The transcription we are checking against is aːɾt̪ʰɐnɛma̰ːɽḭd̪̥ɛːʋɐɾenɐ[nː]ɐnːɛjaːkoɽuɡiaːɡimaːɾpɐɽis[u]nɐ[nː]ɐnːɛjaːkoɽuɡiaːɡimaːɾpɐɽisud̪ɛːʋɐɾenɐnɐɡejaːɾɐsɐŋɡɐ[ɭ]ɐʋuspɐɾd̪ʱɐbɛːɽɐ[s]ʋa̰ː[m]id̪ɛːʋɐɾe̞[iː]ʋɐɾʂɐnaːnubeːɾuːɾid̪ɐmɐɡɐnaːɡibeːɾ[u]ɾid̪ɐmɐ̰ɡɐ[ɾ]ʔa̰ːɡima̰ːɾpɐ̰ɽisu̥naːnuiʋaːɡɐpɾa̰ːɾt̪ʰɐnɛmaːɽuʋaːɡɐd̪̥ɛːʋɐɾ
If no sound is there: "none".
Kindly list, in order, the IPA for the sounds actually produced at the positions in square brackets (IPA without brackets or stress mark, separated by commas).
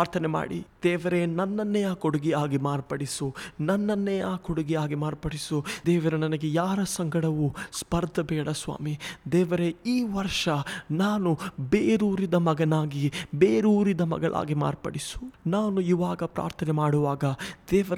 nː, u, nː, ɽ, s, m, iː, uː, ɭ